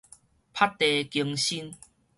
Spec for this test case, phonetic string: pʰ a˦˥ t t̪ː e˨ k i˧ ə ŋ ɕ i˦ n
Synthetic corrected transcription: pʰ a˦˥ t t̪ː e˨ k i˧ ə ŋ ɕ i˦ n